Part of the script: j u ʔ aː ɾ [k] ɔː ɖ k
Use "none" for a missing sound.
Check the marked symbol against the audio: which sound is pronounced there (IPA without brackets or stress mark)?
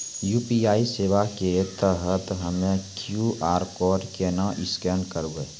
k